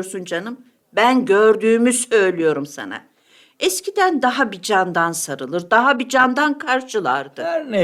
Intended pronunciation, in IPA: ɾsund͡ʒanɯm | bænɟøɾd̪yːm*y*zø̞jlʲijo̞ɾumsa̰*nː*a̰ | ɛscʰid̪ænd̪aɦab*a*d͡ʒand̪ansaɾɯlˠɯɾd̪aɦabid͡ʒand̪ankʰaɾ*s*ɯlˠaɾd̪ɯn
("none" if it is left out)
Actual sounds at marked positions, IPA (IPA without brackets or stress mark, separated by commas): y, n, i, ʃ